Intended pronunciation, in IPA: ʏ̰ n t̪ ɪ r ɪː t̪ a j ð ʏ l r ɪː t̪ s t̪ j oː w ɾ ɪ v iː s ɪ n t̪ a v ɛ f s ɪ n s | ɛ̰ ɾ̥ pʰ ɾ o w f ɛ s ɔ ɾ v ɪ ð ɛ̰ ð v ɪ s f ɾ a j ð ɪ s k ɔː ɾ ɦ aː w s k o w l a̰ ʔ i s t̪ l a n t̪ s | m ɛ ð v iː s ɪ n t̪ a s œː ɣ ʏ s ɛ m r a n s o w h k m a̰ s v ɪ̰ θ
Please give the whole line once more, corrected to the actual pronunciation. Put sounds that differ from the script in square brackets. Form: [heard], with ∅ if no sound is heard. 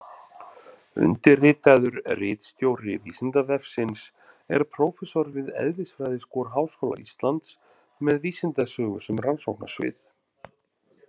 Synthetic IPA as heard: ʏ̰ n t̪ ɪ r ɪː t̪ a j ð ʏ [ɾ] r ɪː t̪ s t̪ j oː w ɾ ɪ v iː s ɪ n t̪ a v ɛ f s ɪ n s | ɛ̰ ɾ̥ pʰ ɾ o w f ɛ s ɔ ɾ v ɪ ð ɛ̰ ð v ɪ s f ɾ a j ð ɪ s k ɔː ɾ ɦ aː w s k o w l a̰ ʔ i s t̪ l a n t̪ s | m ɛ ð v iː s ɪ n t̪ a s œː ɣ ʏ s ɛ m r a n s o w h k [n] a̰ s v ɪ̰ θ